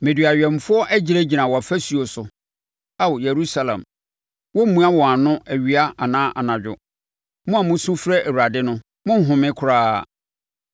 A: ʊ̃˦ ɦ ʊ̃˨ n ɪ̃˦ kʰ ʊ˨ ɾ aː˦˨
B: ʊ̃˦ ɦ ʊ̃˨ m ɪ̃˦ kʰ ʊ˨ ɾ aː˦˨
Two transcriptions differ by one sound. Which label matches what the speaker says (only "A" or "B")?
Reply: B